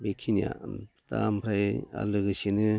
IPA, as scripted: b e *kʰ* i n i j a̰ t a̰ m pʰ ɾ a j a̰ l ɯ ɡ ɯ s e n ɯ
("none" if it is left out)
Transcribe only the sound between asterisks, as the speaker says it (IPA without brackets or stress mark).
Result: kʰ